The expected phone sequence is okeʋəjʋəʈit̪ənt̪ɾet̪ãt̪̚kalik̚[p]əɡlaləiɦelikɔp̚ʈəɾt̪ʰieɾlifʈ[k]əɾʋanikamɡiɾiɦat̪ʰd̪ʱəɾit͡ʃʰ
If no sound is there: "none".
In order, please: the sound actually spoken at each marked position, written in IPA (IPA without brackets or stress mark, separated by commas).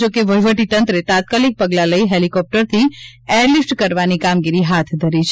p, k